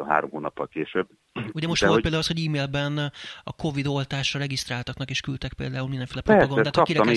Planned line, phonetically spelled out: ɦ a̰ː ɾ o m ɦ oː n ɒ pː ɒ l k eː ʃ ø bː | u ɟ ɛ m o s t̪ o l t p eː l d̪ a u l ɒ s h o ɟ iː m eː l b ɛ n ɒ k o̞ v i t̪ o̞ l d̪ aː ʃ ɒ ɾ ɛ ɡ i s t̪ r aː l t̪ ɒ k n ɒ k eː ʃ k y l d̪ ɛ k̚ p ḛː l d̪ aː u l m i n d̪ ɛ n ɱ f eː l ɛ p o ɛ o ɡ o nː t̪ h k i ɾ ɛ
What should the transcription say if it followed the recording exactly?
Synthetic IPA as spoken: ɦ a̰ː ɾ o m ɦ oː n ɒ pː ɒ l k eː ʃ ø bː | u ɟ ɛ m o ʃ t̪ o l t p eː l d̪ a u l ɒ s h o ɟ iː m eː l b ɛ n ɒ k o̞ v i d̪ o̞ l t̪ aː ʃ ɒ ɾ ɛ ɡ i s t̪ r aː l t̪ ɒ k n ɒ k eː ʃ k y l t̪ ɛ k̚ p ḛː l d̪ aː u l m i n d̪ ɛ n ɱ f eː l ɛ p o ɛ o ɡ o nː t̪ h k i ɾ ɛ